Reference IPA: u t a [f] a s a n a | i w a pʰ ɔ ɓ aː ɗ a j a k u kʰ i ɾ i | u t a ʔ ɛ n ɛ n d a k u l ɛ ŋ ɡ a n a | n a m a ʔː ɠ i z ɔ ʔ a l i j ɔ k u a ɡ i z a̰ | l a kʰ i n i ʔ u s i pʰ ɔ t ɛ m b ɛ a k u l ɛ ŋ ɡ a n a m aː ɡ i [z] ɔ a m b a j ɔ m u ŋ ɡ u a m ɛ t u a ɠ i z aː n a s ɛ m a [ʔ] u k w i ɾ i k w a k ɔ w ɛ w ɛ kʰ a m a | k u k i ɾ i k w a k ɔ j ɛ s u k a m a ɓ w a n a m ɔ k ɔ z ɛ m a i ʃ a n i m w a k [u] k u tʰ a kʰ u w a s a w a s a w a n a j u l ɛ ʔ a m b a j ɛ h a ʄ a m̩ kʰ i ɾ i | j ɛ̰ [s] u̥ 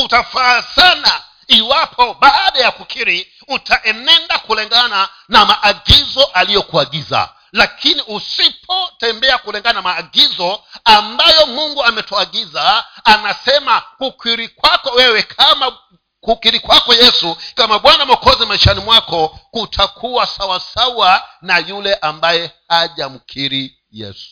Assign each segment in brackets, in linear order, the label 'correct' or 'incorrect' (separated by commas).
correct, correct, incorrect, incorrect, correct